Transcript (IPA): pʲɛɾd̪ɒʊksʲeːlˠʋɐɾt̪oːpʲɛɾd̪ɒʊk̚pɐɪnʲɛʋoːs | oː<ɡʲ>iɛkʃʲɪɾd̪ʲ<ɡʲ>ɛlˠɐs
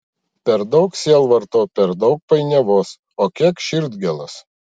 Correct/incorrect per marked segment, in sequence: incorrect, correct

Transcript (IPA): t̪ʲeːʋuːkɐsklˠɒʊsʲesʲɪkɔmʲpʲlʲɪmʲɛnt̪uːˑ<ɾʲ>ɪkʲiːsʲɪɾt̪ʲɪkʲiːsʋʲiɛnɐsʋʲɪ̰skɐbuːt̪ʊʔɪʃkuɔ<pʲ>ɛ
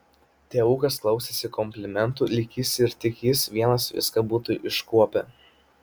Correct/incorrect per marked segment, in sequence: incorrect, correct

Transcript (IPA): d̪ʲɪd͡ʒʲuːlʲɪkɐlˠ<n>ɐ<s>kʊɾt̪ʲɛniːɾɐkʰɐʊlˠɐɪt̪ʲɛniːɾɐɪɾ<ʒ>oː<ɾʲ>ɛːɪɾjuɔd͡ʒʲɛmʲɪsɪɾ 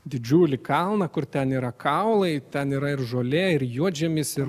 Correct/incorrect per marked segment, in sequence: correct, incorrect, correct, incorrect

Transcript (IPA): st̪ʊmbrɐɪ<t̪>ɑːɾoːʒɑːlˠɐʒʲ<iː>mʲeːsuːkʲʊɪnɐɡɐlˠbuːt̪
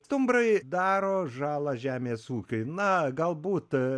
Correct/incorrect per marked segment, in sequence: incorrect, incorrect

